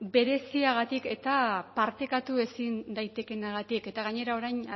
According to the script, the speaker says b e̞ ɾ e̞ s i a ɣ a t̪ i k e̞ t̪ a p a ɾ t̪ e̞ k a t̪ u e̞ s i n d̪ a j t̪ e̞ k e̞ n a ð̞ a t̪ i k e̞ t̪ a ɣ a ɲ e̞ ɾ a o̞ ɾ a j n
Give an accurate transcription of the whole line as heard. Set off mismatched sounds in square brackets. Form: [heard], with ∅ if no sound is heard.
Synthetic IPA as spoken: b e̞ ɾ e̞ s i a ɣ a t̪ i k e̞ t̪ a p a ɾ t̪ e̞ k a t̪ u e̞ s i n d̪ a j t̪ e̞ k e̞ n a [ɣ̞] a t̪ i k e̞ t̪ a ɣ a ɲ e̞ ɾ a o̞ ɾ a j n